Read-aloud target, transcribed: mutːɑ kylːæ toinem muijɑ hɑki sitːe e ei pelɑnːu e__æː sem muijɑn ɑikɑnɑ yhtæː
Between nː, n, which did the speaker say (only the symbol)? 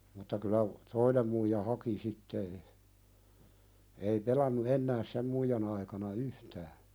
nː